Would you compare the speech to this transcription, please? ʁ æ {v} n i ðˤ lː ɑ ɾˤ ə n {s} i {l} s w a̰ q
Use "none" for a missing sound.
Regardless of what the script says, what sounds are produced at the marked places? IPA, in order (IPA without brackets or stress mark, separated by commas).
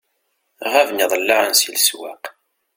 v, s, l